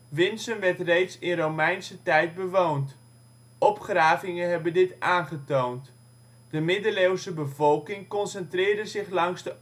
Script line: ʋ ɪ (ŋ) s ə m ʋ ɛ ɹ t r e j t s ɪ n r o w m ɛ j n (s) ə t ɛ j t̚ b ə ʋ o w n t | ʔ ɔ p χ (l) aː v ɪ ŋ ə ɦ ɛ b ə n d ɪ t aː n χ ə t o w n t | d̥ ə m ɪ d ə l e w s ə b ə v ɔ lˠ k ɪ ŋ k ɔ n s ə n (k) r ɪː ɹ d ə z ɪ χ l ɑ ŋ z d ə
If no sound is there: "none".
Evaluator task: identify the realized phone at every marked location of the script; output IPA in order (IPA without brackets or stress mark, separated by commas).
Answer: n, s, r, t